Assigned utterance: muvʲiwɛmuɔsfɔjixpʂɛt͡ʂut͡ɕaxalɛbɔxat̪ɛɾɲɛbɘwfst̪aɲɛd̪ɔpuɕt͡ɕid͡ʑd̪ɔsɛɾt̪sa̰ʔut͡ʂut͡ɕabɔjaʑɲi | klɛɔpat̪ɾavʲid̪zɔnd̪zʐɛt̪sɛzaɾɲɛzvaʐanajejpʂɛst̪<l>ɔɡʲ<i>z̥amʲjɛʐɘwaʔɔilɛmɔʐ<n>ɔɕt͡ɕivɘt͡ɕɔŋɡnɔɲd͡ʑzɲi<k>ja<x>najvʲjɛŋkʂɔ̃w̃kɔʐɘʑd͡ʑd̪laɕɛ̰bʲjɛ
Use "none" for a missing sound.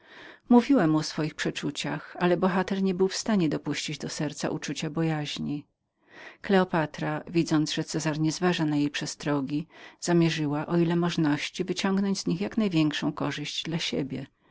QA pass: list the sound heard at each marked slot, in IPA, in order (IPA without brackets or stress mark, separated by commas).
ɾ, i, n, x, k